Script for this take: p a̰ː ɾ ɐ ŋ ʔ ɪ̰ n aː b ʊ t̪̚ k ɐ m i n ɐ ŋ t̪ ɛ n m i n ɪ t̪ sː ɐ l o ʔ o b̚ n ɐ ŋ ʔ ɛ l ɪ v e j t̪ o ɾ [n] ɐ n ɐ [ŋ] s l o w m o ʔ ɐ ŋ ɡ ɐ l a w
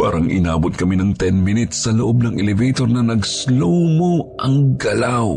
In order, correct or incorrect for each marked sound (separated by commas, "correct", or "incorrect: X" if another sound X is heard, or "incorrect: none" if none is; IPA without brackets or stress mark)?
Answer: correct, incorrect: ɡ